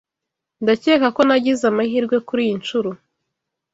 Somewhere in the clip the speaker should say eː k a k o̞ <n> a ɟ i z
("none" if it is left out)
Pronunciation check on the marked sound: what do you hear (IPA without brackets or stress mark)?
n